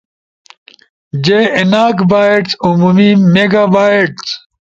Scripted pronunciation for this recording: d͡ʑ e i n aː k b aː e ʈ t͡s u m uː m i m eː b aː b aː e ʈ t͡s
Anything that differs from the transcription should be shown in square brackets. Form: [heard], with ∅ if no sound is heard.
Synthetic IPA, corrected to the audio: d͡ʑ e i n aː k b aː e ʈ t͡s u m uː m i m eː [ɡ] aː b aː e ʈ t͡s

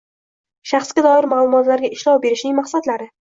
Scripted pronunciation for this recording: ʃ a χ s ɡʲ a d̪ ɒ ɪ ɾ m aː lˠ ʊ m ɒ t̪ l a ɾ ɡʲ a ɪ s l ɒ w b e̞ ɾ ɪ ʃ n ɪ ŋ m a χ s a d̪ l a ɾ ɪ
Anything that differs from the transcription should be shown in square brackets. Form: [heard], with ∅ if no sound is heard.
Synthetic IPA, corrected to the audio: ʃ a χ s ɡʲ a d̪ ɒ ɪ ɾ m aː lˠ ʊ m ɒ t̪ l a ɾ ɡʲ a ɪ [ʃ] l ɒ w b e̞ ɾ ɪ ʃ n ɪ ŋ m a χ s a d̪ l a ɾ ɪ

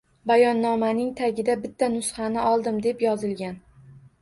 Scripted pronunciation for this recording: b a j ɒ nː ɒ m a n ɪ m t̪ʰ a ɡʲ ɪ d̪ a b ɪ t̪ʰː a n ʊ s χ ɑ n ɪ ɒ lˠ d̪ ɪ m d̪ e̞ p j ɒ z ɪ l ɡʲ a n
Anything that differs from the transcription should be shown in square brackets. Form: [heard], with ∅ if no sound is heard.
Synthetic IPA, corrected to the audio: b a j ɒ nː ɒ m a n ɪ [ŋ] t̪ʰ a ɡʲ ɪ d̪ a b ɪ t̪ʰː a n ʊ s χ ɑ n ɪ ɒ lˠ d̪ ɪ m d̪ e̞ p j ɒ z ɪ l ɡʲ a n

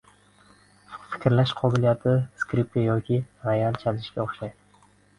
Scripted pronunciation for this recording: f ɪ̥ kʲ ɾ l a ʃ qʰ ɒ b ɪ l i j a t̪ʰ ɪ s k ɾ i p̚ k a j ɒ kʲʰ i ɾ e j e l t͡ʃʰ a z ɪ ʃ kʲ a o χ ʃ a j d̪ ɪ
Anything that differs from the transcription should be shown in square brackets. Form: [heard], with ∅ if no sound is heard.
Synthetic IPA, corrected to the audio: f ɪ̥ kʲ ɾ l a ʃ qʰ ɒ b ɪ l i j a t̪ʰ ɪ s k ɾ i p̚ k a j ɒ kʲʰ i ɾ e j [a] l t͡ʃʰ a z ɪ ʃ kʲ a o χ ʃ a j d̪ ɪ

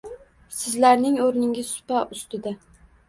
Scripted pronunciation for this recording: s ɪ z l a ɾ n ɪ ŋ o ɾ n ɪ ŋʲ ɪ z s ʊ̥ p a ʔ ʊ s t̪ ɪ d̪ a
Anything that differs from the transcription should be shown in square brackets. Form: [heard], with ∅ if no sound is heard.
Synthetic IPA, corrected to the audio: s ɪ z l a ɾ n ɪ ŋ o ɾ n ɪ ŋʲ ɪ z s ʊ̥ p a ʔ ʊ s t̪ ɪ d̪ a

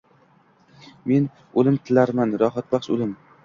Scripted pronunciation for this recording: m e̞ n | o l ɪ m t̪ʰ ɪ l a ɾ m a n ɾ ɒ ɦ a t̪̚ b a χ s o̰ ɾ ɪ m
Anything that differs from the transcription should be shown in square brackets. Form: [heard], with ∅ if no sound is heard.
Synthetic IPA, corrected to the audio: m e̞ n | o l ɪ m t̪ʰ ɪ l a ɾ m a n ɾ ɒ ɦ a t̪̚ b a χ [ʃ] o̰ [l] ɪ m

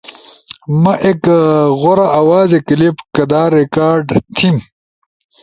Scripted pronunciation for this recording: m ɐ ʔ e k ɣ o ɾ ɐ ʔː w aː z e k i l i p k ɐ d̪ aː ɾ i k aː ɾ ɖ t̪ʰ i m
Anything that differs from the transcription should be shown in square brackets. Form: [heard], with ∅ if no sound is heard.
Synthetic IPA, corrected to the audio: m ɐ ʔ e k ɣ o ɾ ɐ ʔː w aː z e k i l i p k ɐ d̪ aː ɾ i k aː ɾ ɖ t̪ʰ i m

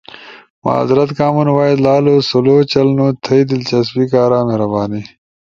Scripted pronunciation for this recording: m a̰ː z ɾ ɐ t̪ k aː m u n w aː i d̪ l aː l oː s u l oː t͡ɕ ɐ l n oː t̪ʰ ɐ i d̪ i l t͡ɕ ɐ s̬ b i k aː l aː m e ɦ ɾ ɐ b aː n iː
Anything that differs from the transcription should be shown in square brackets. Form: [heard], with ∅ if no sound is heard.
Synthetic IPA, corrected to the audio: m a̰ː z ɾ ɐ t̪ k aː m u n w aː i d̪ l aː l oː s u l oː t͡ɕ ɐ l n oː t̪ʰ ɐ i d̪ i l t͡ɕ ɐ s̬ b i k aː [ɾ] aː m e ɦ ɾ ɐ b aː n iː

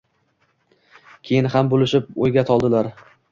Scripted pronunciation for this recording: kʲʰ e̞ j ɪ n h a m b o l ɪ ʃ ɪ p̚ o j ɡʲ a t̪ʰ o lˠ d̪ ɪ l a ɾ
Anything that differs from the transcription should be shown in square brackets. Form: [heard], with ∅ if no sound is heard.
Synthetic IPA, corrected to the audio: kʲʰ e̞ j ɪ n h a m b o l ɪ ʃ ɪ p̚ o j ɡʲ a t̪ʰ [ɒ] lˠ d̪ ɪ l a ɾ

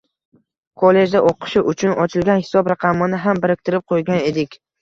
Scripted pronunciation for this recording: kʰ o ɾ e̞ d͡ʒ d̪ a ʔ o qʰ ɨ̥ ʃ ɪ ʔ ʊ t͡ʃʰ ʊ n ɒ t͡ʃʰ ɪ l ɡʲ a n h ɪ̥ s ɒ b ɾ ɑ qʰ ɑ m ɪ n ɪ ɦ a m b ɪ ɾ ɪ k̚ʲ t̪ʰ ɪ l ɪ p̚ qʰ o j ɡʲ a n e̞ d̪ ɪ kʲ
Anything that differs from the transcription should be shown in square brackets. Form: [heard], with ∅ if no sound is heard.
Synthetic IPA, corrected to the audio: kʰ o [l] e̞ d͡ʒ d̪ a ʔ o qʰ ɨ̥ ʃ ɪ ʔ ʊ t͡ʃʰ ʊ n ɒ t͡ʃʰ ɪ l ɡʲ a n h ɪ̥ s ɒ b ɾ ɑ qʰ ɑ m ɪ n ɪ ɦ a m b ɪ ɾ ɪ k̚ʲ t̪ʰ ɪ [ɾ] ɪ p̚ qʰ o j ɡʲ a n e̞ d̪ ɪ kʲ

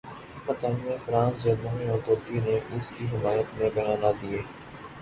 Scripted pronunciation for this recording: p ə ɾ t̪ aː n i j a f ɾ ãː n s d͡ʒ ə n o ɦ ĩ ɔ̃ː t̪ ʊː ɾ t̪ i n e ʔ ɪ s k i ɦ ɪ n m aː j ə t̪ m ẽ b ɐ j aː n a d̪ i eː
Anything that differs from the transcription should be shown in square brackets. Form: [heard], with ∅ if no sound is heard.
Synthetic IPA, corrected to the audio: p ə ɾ t̪ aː n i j a f ɾ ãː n s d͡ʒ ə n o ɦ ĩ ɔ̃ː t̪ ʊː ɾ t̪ i n e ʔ ɪ s k i ɦ ɪ [∅] m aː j ə t̪ m ẽ b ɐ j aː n a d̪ i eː

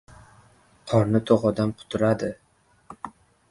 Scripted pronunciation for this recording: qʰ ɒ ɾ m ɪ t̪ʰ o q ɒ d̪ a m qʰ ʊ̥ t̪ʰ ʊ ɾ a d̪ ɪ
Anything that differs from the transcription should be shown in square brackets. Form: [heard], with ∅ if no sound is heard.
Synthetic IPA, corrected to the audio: qʰ ɒ ɾ [n] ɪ t̪ʰ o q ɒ d̪ a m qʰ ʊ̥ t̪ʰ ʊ ɾ a d̪ ɪ

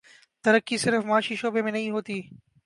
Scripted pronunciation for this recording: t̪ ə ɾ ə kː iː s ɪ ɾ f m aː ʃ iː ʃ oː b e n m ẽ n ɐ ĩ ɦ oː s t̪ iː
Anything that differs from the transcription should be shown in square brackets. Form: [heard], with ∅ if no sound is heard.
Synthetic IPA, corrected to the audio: t̪ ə ɾ ə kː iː s ɪ ɾ f m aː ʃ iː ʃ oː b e [∅] m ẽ n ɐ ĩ ɦ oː [∅] t̪ iː

